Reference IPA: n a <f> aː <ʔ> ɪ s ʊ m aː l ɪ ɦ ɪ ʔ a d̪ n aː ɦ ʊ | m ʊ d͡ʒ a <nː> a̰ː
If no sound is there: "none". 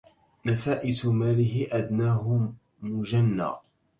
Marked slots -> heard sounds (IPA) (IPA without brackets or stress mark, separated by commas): f, ʔ, nː